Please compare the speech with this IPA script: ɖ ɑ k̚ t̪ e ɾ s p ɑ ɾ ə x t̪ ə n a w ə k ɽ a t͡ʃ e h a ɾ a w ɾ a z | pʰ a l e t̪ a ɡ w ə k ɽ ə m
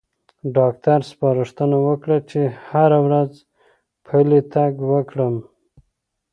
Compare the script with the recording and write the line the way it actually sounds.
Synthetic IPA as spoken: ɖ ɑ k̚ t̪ a ɾ s p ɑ ɾ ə ʂ t̪ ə n a w ə k ɽ a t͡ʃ e h a ɾ a w ɾ a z | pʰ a l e t̪ a ɡ w ə k ɽ ə m